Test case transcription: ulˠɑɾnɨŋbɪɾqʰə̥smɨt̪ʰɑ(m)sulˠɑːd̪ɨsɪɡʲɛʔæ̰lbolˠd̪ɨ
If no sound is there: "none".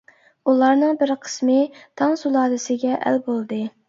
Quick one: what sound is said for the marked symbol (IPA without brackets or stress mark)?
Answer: ŋ